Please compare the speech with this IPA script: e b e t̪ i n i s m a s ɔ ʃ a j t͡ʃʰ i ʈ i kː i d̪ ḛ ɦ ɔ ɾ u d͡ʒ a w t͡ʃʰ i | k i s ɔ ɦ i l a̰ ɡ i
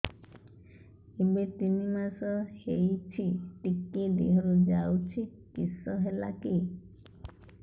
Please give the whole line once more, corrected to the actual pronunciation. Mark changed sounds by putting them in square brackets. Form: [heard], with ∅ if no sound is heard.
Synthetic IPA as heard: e b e t̪ i n i [∅] m a s ɔ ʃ [e] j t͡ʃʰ i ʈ i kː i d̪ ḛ ɦ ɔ ɾ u d͡ʒ a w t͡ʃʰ i | k i s ɔ ɦ [e] l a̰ [k] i

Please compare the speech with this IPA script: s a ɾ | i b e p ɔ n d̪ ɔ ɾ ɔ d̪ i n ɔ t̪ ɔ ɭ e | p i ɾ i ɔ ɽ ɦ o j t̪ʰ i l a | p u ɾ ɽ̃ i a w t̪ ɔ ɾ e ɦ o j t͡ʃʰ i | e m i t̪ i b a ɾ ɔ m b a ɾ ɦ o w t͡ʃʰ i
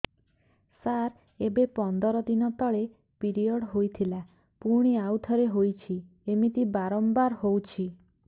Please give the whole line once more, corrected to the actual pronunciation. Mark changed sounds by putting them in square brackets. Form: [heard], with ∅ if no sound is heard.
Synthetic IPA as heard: s a ɾ | [e] b e p ɔ n d̪ ɔ ɾ ɔ d̪ i n ɔ t̪ ɔ ɭ e | p i ɾ i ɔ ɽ ɦ o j t̪ʰ i l a | p u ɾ ɽ̃ i a w [t̪ʰ] ɔ ɾ e ɦ o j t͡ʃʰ i | e m i t̪ i b a ɾ ɔ m b a ɾ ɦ o w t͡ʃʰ i

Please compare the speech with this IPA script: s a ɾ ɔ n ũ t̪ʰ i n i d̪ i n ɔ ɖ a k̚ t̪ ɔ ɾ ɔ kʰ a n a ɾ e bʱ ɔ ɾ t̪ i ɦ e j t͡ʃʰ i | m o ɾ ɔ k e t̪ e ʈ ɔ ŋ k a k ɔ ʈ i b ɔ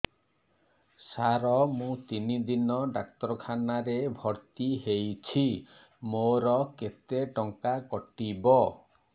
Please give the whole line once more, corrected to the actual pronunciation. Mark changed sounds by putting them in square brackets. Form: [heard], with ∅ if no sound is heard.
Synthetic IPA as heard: s a ɾ ɔ [m] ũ [t̪] i n i d̪ i n ɔ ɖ a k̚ t̪ ɔ ɾ ɔ kʰ a n a ɾ e bʱ ɔ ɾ t̪ i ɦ e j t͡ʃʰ i | m o ɾ ɔ k e t̪ e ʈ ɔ ŋ k a k ɔ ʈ i b ɔ

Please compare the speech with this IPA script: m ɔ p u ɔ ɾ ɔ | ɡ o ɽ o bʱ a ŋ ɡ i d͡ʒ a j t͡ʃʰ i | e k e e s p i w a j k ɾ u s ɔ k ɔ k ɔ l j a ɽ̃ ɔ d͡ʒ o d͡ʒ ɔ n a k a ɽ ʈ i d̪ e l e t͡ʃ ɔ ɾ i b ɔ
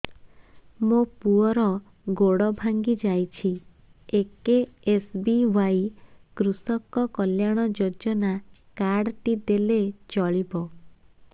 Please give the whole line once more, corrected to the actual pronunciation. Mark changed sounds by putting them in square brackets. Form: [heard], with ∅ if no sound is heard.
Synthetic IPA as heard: m [o] p u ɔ ɾ ɔ | ɡ o ɽ [ɔ] bʱ a ŋ ɡ i d͡ʒ a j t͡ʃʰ i | e k e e s [b] i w a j k ɾ u s ɔ k ɔ k ɔ l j a ɽ̃ ɔ d͡ʒ o d͡ʒ ɔ n a k a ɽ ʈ i d̪ e l e t͡ʃ ɔ [ɭ] i b ɔ

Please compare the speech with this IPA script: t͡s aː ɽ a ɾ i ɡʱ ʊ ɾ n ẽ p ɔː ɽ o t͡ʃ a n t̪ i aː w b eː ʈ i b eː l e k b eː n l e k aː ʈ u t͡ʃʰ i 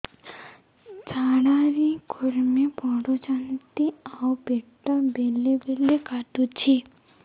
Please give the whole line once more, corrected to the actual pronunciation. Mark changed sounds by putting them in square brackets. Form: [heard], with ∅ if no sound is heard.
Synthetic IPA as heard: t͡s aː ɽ a ɾ i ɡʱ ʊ ɾ [m] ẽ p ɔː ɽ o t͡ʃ a n t̪ i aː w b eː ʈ [a] b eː l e [∅] b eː [∅] l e k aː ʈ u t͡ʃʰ i

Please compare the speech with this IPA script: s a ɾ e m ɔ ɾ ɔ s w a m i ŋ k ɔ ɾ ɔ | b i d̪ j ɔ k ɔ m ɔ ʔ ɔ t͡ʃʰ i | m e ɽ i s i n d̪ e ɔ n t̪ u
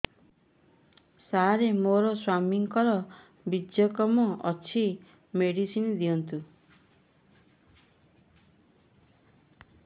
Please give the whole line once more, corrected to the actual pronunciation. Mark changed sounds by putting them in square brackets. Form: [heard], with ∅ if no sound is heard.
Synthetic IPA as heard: s a ɾ e m [o] ɾ ɔ s w a m i ŋ k ɔ ɾ ɔ | b i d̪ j ɔ k ɔ m ɔ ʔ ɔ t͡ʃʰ i | m e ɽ i s i n d̪ [i] ɔ n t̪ u

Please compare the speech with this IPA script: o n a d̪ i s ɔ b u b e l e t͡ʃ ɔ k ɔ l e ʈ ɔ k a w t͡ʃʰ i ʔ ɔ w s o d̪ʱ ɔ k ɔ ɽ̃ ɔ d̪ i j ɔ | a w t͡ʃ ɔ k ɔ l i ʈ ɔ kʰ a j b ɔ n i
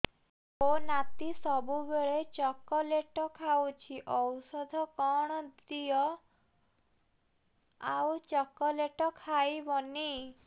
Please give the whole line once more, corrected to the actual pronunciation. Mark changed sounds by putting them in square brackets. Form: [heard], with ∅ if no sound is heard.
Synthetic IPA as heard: o n a [t̪] i s ɔ b u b e [ɭ] e t͡ʃ ɔ k ɔ l e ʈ ɔ [kʰ] a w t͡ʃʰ i ʔ ɔ w s [ɔ] d̪ʱ ɔ k ɔ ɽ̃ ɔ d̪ i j ɔ | a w t͡ʃ ɔ k ɔ l [e] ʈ ɔ kʰ a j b ɔ n i

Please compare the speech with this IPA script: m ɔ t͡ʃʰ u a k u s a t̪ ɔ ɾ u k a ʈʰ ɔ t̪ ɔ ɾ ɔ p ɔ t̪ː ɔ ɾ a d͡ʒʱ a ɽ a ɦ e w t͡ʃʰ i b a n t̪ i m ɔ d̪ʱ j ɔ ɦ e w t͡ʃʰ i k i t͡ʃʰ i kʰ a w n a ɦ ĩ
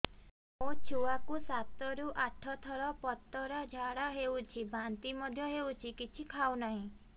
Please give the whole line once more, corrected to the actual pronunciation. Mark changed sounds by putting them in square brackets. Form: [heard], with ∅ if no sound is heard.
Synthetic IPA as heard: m [o] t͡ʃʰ u a k u s a t̪ ɔ ɾ u [ʔ] a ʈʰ ɔ [t̪ʰ] ɔ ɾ ɔ p ɔ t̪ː ɔ ɾ a d͡ʒʱ a ɽ a ɦ e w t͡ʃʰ i b a n t̪ i m ɔ d̪ʱ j ɔ ɦ e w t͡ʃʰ i k i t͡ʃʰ i kʰ a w n a ɦ ĩ

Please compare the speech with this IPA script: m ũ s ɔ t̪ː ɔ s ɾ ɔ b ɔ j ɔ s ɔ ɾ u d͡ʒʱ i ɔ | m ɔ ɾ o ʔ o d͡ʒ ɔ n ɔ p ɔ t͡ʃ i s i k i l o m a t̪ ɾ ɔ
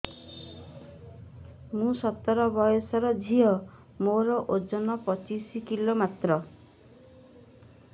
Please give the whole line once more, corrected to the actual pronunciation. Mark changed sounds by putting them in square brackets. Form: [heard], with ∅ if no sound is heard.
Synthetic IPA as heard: m ũ s ɔ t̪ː ɔ [∅] ɾ ɔ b ɔ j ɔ s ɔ ɾ [ɔ] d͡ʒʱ i ɔ | m [o] ɾ [ɔ] ʔ o d͡ʒ ɔ n ɔ p ɔ t͡ʃ i s i k i l o m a t̪ ɾ ɔ

